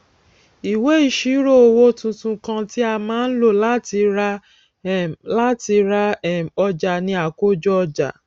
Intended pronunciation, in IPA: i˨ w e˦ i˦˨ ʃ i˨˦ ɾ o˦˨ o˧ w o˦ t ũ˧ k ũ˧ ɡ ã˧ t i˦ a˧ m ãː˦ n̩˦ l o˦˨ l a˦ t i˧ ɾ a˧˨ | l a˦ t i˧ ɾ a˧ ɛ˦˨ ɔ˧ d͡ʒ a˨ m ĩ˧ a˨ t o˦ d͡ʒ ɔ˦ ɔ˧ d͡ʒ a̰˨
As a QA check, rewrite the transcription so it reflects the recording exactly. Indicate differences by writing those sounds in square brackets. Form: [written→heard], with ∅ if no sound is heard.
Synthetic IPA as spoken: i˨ w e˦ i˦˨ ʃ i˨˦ ɾ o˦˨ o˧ w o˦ t ũ˧ [k→t] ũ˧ [ɡ→k] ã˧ t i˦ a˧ m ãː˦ n̩˦ l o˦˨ l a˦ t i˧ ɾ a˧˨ | l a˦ t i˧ ɾ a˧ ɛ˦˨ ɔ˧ d͡ʒ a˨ [m→n] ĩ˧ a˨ [t→k] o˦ d͡ʒ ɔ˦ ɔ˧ d͡ʒ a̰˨